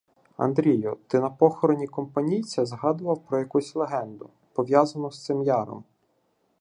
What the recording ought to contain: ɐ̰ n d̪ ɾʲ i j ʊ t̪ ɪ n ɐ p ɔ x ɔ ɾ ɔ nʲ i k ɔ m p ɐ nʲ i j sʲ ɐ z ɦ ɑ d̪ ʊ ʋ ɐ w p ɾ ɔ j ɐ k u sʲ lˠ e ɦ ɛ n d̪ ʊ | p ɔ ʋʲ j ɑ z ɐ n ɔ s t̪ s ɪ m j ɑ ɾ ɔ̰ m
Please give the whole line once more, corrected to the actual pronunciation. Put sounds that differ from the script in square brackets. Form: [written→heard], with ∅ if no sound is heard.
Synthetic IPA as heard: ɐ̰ n d̪ ɾʲ i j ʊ t̪ ɪ n ɐ p ɔ x ɔ ɾ ɔ nʲ i k ɔ m p ɐ nʲ i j [sʲ→t͡sʲ] ɐ z ɦ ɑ d̪ ʊ ʋ ɐ w p ɾ ɔ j ɐ k u sʲ lˠ e ɦ ɛ n d̪ ʊ | p ɔ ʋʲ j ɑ z ɐ n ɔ s t̪ s ɪ m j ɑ ɾ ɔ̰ m